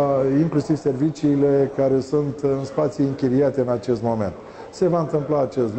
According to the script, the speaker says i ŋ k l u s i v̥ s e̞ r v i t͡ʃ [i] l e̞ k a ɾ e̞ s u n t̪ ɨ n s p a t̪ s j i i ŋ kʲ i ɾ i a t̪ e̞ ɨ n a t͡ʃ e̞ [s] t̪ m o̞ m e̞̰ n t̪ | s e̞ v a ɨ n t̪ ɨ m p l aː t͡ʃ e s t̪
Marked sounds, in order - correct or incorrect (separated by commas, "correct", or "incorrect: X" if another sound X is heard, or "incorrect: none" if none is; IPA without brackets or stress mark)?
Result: incorrect: iː, correct